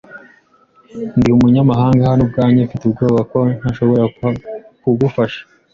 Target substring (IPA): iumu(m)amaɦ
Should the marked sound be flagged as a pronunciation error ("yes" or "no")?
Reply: yes